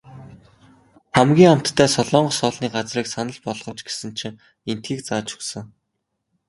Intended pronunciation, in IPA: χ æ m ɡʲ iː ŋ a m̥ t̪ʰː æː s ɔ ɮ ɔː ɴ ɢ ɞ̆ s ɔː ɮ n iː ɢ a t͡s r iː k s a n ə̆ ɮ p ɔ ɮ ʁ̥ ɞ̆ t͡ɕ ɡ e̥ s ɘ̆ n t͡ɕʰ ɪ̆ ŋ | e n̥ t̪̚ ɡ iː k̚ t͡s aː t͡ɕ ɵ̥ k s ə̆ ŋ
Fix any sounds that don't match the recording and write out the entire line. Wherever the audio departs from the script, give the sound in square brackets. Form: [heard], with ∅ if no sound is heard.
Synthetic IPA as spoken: χ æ m ɡʲ iː ŋ a m̥ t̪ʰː æː s ɔ ɮ ɔː ɴ ɢ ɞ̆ s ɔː ɮ n iː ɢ a t͡s r iː k s a n ə̆ ɮ p ɔ ɮ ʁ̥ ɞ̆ t͡ɕ ɡ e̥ s ɘ̆ n t͡ɕʰ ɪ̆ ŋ | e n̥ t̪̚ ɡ iː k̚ t͡s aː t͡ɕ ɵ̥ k s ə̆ ŋ